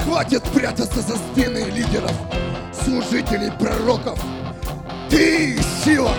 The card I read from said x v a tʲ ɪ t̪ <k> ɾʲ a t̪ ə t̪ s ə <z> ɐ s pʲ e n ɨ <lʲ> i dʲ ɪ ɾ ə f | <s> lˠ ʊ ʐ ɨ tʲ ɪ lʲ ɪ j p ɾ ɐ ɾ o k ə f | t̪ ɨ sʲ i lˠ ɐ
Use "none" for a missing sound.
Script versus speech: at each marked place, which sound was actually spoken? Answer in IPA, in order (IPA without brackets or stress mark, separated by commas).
p, z, lʲ, s